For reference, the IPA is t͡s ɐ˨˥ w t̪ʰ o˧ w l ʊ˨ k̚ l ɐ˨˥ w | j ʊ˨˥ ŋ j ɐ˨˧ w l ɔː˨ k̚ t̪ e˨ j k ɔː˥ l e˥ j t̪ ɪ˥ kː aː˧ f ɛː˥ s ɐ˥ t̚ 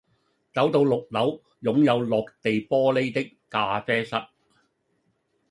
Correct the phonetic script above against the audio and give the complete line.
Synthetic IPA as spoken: t͡s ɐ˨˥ w t̪ o˧ w l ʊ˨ k̚ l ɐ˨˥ w | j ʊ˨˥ ŋ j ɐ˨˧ w l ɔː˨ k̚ t̪ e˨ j p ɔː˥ l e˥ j t̪ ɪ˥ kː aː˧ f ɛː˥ s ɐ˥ t̚

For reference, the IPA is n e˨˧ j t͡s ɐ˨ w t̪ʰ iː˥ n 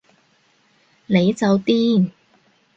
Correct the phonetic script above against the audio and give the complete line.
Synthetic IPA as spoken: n e˨˧ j t͡s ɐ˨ w t̪ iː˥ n

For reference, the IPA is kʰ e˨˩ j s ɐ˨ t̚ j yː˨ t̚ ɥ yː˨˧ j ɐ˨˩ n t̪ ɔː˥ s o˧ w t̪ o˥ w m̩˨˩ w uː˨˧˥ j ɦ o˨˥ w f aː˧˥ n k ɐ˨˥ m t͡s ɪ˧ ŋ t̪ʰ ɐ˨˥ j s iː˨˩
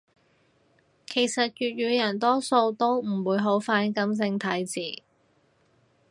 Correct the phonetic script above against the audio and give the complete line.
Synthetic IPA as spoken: kʰ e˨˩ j s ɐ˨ t̚ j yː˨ t̚ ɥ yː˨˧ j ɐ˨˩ n t̪ ɔː˥ s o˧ w t̪ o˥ w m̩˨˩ w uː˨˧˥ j ɦ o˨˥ w f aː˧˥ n k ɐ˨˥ m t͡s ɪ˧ ŋ t̪ʰ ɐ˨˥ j t͡s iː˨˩

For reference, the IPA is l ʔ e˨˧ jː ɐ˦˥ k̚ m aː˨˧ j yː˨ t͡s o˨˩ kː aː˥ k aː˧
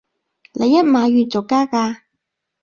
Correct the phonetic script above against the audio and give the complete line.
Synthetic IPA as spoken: l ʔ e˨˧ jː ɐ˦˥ t̚ m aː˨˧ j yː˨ t͡s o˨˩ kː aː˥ k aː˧

